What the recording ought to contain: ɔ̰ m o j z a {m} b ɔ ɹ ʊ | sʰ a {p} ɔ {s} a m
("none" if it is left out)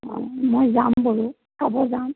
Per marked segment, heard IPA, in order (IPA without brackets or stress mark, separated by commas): m, b, z